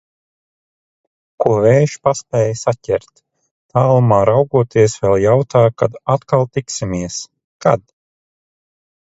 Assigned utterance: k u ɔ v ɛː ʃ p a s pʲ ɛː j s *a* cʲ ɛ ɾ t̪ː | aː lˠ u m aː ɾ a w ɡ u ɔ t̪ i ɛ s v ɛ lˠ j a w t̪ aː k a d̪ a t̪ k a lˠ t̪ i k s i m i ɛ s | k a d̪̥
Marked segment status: correct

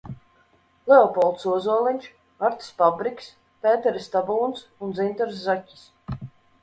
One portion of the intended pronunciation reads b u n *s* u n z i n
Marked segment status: correct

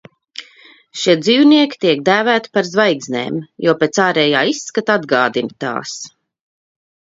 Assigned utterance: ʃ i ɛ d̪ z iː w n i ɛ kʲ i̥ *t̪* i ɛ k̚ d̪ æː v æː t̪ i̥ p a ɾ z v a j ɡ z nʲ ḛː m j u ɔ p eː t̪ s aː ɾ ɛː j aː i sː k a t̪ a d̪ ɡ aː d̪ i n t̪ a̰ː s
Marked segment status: correct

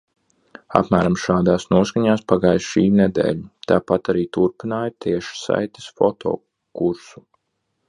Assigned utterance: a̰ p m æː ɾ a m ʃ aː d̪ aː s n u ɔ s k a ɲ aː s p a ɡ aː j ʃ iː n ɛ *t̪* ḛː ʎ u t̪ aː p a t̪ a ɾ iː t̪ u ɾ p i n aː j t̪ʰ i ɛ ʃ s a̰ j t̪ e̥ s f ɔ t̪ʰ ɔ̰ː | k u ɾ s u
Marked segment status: incorrect: d̪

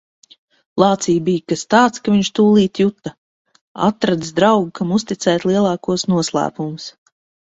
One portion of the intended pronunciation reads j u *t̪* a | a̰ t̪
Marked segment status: correct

